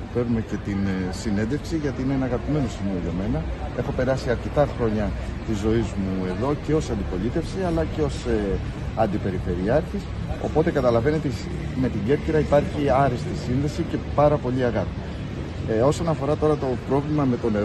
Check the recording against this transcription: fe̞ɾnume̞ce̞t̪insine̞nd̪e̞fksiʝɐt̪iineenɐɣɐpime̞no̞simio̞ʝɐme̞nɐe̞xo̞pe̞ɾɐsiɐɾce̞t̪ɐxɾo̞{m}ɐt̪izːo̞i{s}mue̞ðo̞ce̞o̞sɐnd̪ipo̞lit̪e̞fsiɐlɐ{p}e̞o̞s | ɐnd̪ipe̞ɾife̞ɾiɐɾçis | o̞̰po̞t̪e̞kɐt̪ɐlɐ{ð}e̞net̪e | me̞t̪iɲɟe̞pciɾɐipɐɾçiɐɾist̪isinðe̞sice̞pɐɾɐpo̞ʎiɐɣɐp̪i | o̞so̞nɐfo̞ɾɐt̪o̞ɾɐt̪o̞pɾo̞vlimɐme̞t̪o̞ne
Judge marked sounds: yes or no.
no, no, no, no

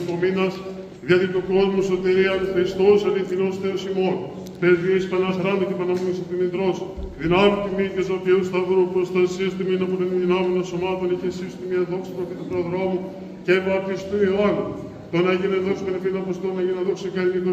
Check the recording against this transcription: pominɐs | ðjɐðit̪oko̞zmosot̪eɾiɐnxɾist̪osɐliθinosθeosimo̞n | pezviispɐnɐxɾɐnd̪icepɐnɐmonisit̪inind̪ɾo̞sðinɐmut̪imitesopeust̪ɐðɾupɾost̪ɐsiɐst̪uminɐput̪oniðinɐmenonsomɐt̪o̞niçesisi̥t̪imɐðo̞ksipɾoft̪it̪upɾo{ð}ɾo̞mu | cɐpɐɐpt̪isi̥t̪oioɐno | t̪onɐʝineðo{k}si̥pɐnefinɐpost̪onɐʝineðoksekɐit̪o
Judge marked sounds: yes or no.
yes, yes

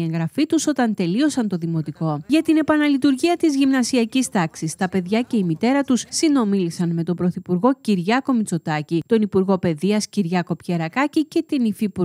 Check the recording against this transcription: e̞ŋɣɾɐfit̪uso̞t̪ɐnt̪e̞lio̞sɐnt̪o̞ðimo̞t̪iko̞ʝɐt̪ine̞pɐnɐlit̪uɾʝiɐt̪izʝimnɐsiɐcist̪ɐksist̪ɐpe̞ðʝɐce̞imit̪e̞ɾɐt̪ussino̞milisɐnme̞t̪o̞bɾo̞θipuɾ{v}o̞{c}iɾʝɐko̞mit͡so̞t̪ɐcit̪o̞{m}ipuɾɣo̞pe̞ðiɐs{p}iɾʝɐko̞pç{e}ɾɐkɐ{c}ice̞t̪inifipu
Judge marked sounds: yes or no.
no, yes, no, no, yes, yes

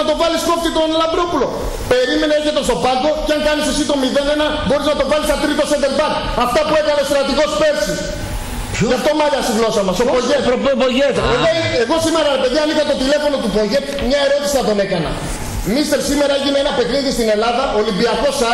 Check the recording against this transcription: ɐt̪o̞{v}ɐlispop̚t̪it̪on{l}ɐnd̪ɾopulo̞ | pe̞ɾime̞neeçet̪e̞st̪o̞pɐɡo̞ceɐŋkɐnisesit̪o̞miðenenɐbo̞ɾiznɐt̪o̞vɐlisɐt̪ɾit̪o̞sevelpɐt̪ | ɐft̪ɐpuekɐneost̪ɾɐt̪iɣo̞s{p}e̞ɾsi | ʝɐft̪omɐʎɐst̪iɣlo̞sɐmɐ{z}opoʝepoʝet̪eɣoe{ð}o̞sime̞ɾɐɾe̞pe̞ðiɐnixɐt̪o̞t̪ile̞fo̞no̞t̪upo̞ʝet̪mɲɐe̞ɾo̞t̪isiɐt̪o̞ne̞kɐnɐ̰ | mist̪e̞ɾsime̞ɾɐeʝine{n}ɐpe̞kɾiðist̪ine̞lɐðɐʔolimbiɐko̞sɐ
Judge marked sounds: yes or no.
yes, yes, yes, no, no, yes

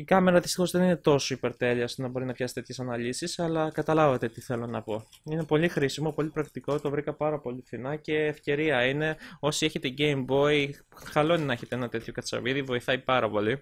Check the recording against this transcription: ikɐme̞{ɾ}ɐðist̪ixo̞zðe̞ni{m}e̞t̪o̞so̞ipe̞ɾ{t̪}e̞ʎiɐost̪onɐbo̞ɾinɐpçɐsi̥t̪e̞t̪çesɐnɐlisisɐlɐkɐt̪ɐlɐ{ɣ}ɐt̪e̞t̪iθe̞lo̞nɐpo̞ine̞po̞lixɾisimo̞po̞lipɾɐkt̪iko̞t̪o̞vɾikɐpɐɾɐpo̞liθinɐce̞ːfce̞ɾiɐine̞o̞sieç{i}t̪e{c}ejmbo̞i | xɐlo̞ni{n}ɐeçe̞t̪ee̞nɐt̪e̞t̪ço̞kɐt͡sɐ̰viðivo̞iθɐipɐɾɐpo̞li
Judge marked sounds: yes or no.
yes, no, yes, no, no, no, yes

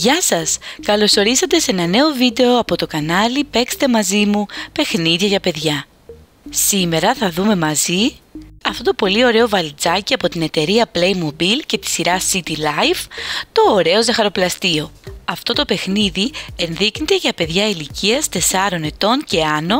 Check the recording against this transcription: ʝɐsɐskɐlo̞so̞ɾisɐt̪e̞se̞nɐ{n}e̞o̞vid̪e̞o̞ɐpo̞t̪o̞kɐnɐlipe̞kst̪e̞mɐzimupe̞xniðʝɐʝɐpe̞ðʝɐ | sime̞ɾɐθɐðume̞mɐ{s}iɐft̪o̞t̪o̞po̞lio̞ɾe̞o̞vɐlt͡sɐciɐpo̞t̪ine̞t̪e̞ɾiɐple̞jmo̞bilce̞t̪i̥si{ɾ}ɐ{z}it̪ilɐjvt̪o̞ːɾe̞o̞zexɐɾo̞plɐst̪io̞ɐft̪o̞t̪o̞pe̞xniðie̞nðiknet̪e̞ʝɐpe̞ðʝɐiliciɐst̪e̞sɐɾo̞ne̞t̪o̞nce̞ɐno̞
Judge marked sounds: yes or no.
yes, no, yes, no

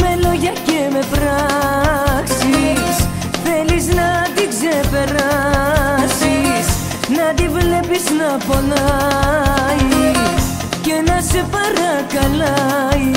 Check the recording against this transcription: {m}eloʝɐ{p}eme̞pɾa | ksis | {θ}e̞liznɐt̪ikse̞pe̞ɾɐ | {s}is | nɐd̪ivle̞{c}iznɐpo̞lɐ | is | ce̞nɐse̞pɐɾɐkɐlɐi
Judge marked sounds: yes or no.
yes, no, yes, yes, no

